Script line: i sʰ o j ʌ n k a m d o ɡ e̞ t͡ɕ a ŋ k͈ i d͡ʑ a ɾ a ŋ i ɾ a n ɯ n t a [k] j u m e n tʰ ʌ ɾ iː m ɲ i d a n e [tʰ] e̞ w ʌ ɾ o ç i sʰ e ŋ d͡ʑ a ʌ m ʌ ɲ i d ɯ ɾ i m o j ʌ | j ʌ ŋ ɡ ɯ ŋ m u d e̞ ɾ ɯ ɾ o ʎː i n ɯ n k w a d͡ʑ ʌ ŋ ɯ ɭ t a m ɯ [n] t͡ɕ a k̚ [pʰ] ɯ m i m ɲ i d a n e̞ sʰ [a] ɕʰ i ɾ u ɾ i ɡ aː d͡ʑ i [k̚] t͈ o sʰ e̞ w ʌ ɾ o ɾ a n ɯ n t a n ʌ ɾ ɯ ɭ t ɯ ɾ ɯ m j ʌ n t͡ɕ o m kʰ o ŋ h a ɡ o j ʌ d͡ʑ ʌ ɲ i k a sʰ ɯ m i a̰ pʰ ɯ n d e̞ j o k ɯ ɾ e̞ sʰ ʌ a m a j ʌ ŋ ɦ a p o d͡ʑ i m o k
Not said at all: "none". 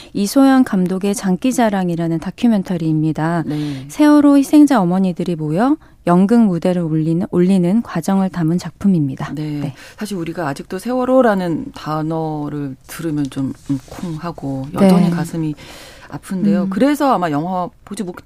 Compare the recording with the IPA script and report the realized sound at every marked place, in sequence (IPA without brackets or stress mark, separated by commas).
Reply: kʰ, sʰ, n, pʰ, a, k̚